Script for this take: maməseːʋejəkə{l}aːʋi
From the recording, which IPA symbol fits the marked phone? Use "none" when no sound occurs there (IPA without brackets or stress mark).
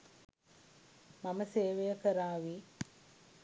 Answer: ɾ